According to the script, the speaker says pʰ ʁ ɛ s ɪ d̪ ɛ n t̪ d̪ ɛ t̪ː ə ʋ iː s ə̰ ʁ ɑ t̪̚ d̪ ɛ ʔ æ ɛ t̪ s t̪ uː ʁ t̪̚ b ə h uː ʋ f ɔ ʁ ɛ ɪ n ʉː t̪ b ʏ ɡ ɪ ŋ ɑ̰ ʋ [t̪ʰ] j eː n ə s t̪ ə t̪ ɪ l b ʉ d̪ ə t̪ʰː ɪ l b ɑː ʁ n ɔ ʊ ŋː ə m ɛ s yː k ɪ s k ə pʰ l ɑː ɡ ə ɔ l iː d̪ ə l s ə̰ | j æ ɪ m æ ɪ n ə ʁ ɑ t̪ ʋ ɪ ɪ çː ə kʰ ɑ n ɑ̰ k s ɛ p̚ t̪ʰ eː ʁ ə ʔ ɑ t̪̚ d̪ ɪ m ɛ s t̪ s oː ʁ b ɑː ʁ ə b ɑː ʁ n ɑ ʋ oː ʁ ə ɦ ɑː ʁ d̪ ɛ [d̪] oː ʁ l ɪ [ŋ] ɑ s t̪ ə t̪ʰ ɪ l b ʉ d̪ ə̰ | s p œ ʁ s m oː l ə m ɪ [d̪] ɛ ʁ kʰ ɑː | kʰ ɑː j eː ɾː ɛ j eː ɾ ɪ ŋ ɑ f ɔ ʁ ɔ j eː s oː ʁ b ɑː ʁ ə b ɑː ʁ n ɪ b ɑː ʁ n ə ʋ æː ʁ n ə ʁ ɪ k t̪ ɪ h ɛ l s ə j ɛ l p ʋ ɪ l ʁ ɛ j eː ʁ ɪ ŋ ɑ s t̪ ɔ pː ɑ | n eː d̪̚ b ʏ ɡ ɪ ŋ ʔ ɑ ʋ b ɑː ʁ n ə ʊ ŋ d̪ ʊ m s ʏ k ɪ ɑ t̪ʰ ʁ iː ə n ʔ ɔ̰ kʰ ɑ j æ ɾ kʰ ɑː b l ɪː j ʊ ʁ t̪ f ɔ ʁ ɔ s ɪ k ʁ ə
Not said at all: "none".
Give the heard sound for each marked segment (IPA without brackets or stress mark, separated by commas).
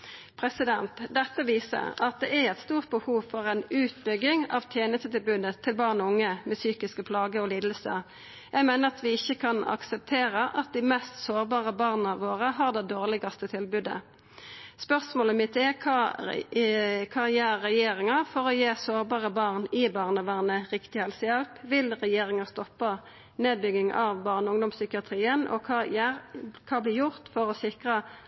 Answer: t̪ʰ, d̪, ɡ, t̪